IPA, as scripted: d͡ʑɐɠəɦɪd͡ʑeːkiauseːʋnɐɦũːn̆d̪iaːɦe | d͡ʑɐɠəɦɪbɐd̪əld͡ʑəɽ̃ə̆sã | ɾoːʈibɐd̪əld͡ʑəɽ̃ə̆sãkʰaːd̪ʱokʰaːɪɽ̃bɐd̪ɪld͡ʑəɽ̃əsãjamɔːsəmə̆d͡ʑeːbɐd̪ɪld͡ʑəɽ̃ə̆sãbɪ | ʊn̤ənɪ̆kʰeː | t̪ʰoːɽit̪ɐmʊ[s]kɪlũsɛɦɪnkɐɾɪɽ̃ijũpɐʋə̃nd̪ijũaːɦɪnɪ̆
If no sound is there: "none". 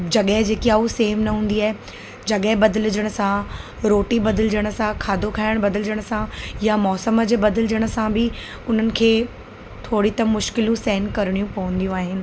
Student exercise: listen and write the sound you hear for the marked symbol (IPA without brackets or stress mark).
ʃ